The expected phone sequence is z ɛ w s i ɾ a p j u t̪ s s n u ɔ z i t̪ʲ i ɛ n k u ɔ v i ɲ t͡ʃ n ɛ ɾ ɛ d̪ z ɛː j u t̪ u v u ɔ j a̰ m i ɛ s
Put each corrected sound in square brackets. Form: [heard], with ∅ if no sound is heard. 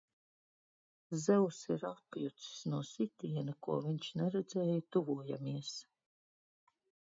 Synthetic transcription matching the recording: z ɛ w s i ɾ a p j u t̪ s s n u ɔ [s] i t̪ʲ i ɛ n k u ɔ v i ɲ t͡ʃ n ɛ ɾ ɛ d̪ z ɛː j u t̪ u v u ɔ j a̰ m i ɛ s